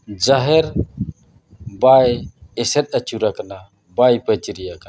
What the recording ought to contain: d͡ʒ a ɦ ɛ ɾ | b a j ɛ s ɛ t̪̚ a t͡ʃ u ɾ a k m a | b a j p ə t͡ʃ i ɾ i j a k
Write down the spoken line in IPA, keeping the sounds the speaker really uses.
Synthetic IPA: d͡ʒ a ɦ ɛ ɾ | b a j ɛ s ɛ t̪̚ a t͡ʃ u ɾ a k n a | b a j p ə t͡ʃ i ɾ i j a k